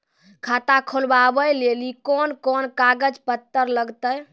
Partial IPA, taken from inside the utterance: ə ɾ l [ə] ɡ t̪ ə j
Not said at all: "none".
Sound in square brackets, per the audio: ə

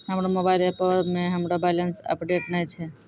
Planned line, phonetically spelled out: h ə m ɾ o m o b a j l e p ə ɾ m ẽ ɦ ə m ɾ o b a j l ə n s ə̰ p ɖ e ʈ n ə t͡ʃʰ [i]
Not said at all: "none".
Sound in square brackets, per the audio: e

